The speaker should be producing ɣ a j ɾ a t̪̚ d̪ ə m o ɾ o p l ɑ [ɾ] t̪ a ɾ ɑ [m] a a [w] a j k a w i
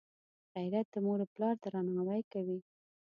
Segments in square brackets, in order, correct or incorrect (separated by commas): correct, incorrect, correct